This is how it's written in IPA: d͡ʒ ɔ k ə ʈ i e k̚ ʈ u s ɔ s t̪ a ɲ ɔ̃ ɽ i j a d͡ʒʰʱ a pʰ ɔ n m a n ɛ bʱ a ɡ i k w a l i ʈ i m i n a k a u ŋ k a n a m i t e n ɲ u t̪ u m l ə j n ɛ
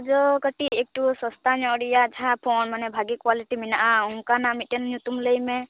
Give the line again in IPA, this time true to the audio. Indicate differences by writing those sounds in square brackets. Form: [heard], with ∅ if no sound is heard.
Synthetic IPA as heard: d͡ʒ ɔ k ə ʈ i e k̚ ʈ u s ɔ s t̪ a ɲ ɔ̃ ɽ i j a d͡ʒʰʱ a pʰ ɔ n m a n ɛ bʱ a ɡ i k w a l i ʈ i m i n a [ʔ] a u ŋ k a n a m i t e n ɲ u t̪ u m l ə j [m] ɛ